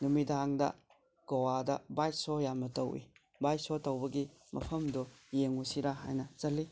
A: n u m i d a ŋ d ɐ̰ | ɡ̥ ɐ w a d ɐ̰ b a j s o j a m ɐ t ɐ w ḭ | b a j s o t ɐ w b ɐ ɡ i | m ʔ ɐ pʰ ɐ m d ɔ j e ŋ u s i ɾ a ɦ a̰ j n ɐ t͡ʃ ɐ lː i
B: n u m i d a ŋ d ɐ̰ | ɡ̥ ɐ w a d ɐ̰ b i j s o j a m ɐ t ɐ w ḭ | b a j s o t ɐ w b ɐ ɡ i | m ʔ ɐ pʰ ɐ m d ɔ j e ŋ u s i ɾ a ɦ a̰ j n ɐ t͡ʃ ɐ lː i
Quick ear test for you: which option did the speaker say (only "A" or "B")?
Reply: A